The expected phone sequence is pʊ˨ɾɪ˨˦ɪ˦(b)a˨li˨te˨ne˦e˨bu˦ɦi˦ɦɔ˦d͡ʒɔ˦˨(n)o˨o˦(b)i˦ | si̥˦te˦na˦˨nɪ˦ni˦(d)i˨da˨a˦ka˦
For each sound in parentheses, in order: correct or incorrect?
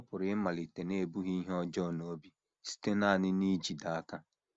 incorrect, correct, correct, incorrect

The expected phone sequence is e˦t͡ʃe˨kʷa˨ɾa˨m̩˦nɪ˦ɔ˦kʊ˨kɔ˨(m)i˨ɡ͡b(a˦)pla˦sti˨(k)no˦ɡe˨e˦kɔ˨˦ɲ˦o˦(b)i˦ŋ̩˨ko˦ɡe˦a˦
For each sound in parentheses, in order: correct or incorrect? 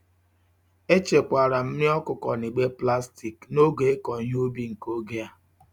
incorrect, incorrect, correct, correct

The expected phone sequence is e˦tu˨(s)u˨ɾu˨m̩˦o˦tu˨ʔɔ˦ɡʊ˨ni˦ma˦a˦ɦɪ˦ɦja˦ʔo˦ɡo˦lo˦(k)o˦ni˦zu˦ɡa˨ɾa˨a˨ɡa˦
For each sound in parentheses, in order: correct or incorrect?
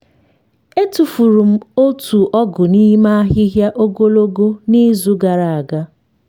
incorrect, incorrect

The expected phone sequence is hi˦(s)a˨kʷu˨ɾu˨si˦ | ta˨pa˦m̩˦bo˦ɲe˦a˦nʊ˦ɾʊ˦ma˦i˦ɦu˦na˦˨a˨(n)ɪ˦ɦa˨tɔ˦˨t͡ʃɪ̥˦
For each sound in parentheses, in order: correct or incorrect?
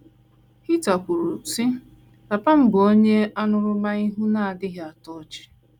incorrect, incorrect

